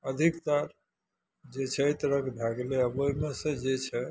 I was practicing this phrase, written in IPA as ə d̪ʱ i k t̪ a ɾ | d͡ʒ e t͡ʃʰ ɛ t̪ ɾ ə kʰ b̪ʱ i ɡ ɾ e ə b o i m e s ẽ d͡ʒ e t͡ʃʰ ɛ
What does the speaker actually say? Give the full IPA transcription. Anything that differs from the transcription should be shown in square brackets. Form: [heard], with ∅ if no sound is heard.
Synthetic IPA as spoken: ə d̪ʱ i k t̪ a ɾ | d͡ʒ e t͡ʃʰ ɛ t̪ ɾ ə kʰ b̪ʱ [a] ɡ [l] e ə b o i m e s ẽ d͡ʒ e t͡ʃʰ ɛ